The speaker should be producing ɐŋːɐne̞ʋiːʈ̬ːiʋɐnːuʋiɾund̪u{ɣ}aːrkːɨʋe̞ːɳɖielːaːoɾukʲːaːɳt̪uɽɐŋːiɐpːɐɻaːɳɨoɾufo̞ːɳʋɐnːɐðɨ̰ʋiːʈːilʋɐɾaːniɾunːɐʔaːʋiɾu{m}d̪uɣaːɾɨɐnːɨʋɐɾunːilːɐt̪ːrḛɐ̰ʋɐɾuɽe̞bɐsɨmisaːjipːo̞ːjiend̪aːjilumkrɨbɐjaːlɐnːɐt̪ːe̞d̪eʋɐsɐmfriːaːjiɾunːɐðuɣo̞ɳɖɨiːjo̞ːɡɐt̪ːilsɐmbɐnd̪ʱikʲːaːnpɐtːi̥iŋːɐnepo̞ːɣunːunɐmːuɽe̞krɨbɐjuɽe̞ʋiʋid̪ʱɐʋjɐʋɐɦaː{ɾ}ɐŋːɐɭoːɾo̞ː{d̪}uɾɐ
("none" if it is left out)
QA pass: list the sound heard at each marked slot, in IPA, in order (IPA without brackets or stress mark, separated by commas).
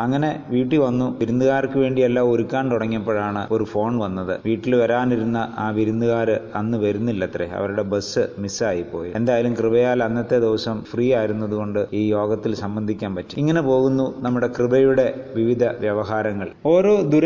ɣ, n, ɾ, d̪